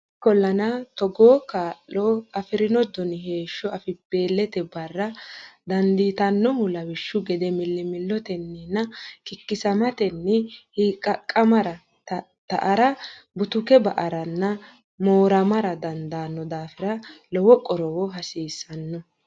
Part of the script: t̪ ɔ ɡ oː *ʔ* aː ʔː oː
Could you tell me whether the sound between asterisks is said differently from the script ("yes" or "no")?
yes